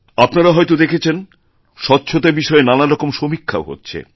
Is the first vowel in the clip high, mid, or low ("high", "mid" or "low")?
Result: low